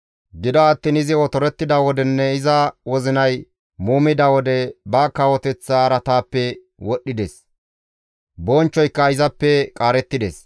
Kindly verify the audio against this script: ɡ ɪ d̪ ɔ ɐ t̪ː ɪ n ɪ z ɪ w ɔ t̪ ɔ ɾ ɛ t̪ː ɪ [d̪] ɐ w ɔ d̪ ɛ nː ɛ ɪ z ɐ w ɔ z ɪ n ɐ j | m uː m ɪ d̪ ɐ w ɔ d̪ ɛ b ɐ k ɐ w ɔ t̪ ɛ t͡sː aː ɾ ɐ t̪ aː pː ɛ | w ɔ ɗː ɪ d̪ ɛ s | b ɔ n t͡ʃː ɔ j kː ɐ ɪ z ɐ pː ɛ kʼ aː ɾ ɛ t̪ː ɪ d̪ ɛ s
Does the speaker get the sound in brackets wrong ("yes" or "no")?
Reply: no